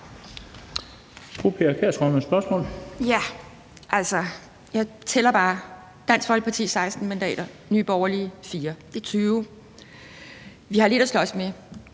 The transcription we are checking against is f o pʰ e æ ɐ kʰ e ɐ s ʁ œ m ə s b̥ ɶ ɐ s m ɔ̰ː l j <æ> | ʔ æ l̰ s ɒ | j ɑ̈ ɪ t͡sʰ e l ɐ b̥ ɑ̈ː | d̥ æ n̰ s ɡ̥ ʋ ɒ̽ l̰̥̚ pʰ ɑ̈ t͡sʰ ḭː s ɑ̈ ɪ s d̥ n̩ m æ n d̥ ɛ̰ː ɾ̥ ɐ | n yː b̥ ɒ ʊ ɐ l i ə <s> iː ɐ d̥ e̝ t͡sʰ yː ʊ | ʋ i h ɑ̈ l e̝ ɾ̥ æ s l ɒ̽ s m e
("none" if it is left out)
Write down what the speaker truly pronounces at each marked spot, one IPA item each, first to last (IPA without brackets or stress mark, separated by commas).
æ, f